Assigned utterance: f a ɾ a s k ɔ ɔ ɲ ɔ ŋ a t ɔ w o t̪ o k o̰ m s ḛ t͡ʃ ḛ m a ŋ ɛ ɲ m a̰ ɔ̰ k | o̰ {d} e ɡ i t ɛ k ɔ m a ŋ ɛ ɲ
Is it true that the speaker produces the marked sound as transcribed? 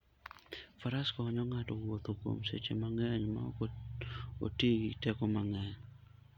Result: no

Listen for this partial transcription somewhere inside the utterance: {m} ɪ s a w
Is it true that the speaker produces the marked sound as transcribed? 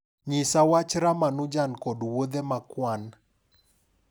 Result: no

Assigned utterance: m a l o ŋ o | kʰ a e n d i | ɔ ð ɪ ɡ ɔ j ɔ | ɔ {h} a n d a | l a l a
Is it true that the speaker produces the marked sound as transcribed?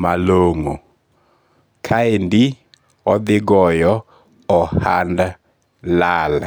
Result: yes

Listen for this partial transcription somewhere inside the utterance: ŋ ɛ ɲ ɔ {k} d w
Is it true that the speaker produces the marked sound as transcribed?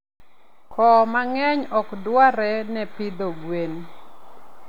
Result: yes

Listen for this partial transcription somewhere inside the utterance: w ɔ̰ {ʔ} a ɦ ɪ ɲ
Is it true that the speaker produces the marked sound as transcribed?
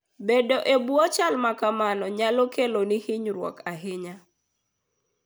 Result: no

